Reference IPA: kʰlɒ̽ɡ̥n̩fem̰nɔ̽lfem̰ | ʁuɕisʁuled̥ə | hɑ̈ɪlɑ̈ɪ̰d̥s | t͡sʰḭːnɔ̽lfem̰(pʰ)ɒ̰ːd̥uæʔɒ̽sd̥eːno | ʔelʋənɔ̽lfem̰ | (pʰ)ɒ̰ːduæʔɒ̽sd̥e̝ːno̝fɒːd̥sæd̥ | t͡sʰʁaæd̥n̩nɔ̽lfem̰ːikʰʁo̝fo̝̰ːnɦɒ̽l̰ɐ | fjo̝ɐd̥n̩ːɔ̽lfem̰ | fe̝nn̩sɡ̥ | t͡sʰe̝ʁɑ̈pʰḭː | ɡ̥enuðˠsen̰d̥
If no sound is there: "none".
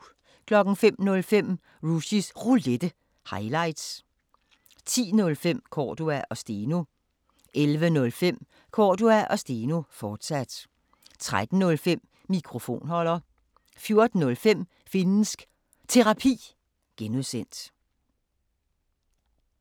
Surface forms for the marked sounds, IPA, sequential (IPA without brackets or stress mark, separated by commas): kʰ, kʰ